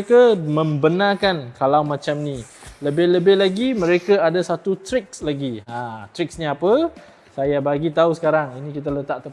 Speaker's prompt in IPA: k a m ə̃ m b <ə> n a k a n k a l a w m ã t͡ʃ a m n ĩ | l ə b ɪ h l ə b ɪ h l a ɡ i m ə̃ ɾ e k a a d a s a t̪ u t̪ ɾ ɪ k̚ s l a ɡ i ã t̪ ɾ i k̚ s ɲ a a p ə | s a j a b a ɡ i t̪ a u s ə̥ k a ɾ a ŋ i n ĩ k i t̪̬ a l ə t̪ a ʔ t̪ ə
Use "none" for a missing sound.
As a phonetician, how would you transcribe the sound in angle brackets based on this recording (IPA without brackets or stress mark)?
ə